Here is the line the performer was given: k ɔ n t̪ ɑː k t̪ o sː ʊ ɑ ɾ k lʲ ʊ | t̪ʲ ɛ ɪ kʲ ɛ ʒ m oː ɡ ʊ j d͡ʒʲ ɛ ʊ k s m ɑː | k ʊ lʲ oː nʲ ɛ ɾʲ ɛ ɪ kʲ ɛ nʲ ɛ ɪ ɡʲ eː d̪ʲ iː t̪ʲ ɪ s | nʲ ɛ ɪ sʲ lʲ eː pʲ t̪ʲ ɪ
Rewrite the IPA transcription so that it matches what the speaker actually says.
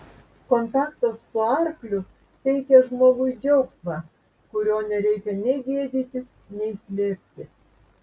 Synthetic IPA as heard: k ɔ n t̪ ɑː k t̪ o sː ʊ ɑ ɾ k lʲ ʊ | t̪ʲ ɛ ɪ kʲ ɛ ʒ m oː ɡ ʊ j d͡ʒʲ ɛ ʊ k s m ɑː | k ʊ ɾʲ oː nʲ ɛ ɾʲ ɛ ɪ kʲ ɛ nʲ ɛ ɪ ɡʲ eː d̪ʲ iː t̪ʲ ɪ s | nʲ ɛ ɪ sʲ lʲ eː pʲ t̪ʲ ɪ

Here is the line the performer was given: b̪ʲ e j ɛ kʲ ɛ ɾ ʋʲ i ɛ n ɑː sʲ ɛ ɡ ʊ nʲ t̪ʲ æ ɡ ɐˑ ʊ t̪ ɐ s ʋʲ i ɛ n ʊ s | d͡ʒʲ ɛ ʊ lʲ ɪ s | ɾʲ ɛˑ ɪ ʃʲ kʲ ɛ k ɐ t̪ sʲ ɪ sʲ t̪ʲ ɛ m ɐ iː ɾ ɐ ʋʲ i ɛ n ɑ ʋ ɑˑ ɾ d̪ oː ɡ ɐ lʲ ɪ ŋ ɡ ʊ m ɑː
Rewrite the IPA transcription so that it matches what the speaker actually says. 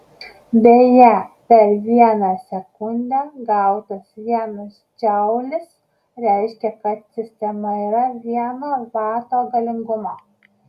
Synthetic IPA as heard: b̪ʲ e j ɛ pʲ ɛ ɾ ʋʲ i ɛ n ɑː sʲ ɛ k ʊ nʲ d̪ʲ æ ɡ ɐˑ ʊ t̪ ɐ s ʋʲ i ɛ n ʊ s | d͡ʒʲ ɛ ʊ lʲ ɪ s | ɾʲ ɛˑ ɪ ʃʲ kʲ ɛ k ɐ t̪ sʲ ɪ sʲ t̪ʲ ɛ m ɐ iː ɾ ɐ ʋʲ i ɛ n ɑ ʋ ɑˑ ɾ t̪ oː ɡ ɐ lʲ ɪ ŋ ɡ ʊ m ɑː

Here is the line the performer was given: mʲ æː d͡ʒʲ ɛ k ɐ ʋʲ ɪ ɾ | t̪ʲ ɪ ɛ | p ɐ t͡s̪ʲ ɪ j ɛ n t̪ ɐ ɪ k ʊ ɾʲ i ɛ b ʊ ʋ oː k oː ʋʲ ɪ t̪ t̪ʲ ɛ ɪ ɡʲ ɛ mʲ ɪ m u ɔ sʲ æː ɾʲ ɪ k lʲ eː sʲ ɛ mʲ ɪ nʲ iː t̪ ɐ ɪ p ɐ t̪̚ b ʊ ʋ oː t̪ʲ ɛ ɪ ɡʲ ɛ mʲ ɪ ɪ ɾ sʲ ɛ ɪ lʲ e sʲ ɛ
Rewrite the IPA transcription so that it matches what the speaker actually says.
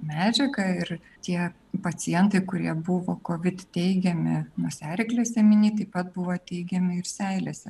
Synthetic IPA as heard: mʲ æː d͡ʒʲ ɛ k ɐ ɪ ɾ | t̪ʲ i ɛ | p ɐ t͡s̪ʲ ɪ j ɛ n t̪ ɐ ɪ k ʊ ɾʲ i ɛ b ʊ ʋ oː k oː ʋʲ ɪ t̪ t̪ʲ ɛ ɪ ɡʲ ɛ mʲ ɪ n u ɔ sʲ æː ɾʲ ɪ k lʲ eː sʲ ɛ mʲ ɪ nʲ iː t̪ ɐ ɪ p ɐ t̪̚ b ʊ ʋ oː t̪ʲ ɛ ɪ ɡʲ ɛ mʲ ɪ ɪ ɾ sʲ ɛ ɪ lʲ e sʲ ɛ

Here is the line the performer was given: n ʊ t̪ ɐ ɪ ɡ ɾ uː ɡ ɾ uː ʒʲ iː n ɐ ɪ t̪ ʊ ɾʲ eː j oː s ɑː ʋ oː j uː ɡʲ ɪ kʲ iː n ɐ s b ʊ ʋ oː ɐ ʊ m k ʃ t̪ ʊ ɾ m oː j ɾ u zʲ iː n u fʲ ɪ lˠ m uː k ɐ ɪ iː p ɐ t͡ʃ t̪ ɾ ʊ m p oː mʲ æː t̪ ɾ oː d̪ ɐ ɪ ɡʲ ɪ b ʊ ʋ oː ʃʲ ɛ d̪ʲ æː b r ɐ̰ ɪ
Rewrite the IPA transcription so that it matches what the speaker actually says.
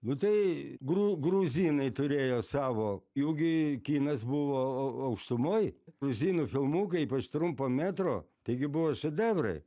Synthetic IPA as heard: n ʊ t̪ ɐ ɪ ɡ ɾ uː ɡ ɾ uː zʲ iː n ɐ ɪ t̪ ʊ ɾʲ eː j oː s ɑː ʋ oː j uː ɡʲ ɪ kʲ iː n ɐ s b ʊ ʋ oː ɐ ʊ k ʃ t̪ ʊ m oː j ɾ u zʲ iː n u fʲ ɪ lˠ m uː k ɐ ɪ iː p ɐ t͡ʃ t̪ ɾ ʊ m p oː mʲ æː t̪ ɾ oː t̪ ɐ ɪ ɡʲ ɪ b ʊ ʋ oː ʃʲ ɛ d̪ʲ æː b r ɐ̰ ɪ

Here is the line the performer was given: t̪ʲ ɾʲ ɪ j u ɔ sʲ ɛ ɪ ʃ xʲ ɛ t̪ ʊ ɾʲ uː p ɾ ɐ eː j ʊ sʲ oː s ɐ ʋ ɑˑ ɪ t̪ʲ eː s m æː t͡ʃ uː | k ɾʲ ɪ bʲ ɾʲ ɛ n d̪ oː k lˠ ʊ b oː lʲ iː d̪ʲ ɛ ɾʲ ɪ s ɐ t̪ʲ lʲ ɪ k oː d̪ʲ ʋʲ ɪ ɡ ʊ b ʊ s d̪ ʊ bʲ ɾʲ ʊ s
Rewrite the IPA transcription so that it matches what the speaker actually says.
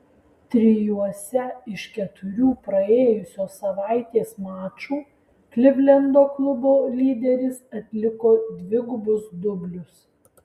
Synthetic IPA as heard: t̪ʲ ɾʲ ɪ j u ɔ sʲ ɛ ɪ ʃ kʲ ɛ t̪ ʊ ɾʲ uː p ɾ ɐ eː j ʊ sʲ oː s ɐ ʋ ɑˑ ɪ t̪ʲ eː s m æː t͡ʃ uː | k lʲ ɪ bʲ lʲ ɛ n d̪ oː k lˠ ʊ b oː lʲ iː d̪ʲ ɛ ɾʲ ɪ s ɐ t̪ʲ lʲ ɪ k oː d̪ʲ ʋʲ ɪ ɡ ʊ b ʊ s d̪ ʊ bʲ lʲ ʊ s

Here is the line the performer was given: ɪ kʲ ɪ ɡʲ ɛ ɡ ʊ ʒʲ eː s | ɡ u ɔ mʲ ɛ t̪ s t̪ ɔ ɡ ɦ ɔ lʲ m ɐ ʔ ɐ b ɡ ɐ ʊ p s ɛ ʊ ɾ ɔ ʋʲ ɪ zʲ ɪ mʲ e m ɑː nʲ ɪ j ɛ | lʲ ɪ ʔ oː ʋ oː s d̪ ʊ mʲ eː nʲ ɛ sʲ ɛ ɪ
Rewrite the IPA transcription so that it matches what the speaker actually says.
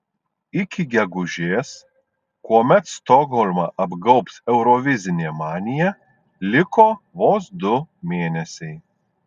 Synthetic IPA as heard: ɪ kʲ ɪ ɡʲ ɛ ɡ ʊ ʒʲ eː s | k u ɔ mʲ ɛ t̪ s t̪ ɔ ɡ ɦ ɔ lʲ m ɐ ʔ ɐ b ɡ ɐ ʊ p s ɛ ʊ ɾ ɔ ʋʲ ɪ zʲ ɪ nʲ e m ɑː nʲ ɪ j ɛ | lʲ ɪ k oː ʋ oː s d̪ ʊ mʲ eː nʲ ɛ sʲ ɛ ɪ

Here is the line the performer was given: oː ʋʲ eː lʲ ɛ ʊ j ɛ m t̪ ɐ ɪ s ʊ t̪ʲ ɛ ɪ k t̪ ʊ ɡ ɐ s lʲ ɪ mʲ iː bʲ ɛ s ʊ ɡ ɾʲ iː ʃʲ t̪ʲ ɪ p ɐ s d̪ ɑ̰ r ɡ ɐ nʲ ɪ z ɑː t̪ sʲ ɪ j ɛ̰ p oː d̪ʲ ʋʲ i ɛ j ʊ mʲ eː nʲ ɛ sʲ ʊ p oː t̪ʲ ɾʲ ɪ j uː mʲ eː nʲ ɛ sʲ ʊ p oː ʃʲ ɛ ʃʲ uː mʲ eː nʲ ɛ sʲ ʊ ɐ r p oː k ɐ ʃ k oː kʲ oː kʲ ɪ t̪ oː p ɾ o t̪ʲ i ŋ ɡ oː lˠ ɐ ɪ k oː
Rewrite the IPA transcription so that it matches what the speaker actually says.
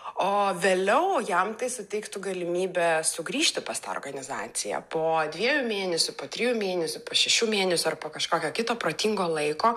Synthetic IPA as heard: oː ʋʲ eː lʲ ɛ ʊ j ɛ m t̪ ɐ ɪ s ʊ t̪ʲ ɛ ɪ k t̪ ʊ ɡ ɐ lʲ ɪ mʲ iː bʲ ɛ s ʊ ɡ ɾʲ iː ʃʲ t̪ʲ ɪ p ɐ s t̪ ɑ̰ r ɡ ɐ nʲ ɪ z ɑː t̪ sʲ ɪ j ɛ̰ p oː d̪ʲ ʋʲ i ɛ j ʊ mʲ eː nʲ ɛ sʲ ʊ p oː t̪ʲ ɾʲ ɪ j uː mʲ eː nʲ ɛ sʲ ʊ p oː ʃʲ ɛ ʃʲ uː mʲ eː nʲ ɛ sʲ ʊ ɐ r p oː k ɐ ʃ k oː kʲ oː kʲ ɪ t̪ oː p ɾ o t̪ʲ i ŋ ɡ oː lˠ ɐ ɪ k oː

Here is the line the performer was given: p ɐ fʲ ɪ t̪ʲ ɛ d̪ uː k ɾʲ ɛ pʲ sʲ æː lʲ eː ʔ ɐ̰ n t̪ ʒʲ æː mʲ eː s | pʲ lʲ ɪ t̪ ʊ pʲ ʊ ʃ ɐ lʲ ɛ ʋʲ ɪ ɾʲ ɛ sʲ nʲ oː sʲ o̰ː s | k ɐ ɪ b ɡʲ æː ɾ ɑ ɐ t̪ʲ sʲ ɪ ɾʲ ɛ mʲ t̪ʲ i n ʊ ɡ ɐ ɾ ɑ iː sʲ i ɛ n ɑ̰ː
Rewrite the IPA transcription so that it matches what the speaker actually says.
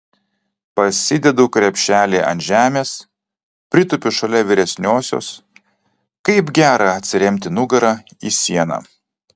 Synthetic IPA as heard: p ɐ sʲ ɪ d̪ʲ ɛ d̪ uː k ɾʲ ɛ pʲ ʃʲ æː lʲ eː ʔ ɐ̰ n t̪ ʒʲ æː mʲ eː s | pʲ ɾʲ ɪ t̪ ʊ pʲ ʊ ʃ ɐ lʲ ɛ ʋʲ ɪ ɾʲ ɛ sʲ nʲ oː sʲ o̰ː s | k ɐ ɪ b ɡʲ æː ɾ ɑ ɐ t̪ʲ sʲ ɪ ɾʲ ɛ mʲ t̪ʲ ɪ n ʊ ɡ ɐ ɾ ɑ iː sʲ i ɛ n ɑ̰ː

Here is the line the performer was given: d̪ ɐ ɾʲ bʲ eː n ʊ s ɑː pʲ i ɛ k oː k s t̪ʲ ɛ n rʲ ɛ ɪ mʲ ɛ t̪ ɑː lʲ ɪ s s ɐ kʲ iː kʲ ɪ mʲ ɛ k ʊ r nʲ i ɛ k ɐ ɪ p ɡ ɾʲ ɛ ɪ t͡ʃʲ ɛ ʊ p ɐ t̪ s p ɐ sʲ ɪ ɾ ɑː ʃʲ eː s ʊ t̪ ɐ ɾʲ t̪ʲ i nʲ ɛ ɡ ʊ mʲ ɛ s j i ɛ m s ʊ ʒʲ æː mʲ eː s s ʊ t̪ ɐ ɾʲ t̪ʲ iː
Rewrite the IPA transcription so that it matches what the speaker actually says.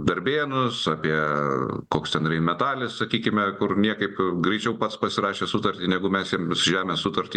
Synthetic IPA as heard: d̪ ɐ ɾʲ bʲ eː n ʊ s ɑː pʲ i ɛ k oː k s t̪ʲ ɛ n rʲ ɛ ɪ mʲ ɛ t̪ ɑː lʲ ɪ s s ɐ kʲ iː kʲ ɪ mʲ ɛ k ʊ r nʲ i ɛ k ɐ ɪ p ɡ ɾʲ ɛ ɪ t͡ʃʲ ɛ ʊ p ɐ t̪ s p ɐ sʲ ɪ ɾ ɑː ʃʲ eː s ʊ t̪ ɐ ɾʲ t̪ʲ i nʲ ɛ ɡ ʊ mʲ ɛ s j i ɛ m s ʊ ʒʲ æː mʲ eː s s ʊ t̪ ɐ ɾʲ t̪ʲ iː

